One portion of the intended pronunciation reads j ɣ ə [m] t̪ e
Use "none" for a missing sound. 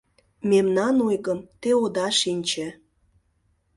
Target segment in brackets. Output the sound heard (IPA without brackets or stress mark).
m